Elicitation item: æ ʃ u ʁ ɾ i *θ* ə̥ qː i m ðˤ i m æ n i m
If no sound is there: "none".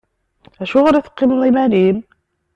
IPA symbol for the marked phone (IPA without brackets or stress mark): θ